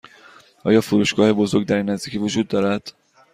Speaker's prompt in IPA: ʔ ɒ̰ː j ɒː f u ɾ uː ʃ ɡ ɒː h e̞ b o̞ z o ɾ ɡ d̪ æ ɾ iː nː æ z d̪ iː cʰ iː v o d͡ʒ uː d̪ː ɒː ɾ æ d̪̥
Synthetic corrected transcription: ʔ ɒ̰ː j ɒː f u ɾ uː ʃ ɡ ɒː h e̞ b o̞ z o ɾ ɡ d̪ æ ɾ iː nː æ z d̪ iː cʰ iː v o d͡ʒ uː d̪ː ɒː ɾ æ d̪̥